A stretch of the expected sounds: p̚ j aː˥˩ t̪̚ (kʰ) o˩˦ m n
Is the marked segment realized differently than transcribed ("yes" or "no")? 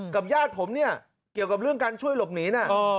yes